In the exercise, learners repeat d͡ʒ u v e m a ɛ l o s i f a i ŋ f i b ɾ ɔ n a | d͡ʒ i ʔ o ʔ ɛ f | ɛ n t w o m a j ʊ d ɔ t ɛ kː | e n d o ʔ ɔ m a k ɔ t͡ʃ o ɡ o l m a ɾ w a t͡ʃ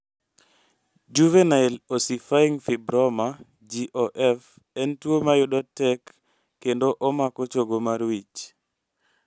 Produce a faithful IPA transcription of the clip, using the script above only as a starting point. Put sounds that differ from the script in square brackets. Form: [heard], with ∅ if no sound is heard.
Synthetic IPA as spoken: d͡ʒ u v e [n] a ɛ l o s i f a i ŋ f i b ɾ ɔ [m] a | d͡ʒ i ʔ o ʔ ɛ f | ɛ n t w o m a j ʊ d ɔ t ɛ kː | e n d o ʔ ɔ m a k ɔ t͡ʃ o ɡ o [∅] m a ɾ w [i] t͡ʃ